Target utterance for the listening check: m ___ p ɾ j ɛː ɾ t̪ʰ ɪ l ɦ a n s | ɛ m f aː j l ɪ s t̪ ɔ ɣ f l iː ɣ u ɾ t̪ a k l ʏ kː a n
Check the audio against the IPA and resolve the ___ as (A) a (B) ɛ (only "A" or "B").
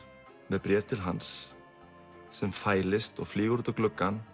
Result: B